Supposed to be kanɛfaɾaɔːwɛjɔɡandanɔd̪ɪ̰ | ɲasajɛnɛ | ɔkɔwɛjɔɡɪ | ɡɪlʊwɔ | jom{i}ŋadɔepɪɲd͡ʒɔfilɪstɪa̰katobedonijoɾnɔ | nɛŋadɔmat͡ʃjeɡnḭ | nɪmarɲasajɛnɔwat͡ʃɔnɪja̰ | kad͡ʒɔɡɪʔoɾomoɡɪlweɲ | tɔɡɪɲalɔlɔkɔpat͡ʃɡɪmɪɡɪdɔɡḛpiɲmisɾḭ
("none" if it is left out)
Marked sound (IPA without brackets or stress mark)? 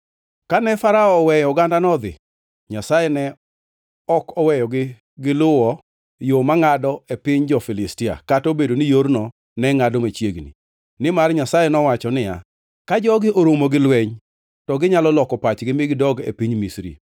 a